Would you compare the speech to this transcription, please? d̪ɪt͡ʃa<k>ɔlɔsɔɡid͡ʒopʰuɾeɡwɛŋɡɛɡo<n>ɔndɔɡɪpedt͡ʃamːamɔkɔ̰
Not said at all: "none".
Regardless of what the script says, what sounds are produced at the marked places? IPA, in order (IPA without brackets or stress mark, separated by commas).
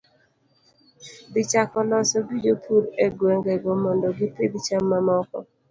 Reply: k, m